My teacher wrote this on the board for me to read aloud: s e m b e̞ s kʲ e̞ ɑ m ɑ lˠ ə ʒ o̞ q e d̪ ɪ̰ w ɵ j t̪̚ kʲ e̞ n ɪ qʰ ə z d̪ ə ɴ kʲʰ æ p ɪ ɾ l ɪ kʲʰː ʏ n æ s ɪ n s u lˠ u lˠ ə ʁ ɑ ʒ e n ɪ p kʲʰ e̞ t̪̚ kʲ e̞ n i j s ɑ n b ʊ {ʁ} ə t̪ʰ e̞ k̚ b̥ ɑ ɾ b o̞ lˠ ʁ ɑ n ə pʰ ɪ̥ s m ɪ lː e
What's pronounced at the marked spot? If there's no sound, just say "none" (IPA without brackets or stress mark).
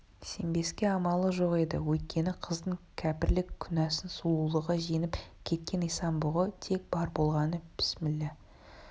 ʁ